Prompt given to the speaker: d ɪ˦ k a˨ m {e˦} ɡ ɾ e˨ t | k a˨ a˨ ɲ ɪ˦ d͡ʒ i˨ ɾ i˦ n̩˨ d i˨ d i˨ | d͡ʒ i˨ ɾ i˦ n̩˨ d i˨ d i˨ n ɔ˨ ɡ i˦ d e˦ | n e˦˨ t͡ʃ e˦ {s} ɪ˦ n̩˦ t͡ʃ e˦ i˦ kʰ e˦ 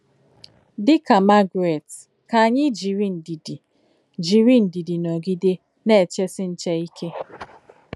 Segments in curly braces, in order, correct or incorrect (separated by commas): incorrect, correct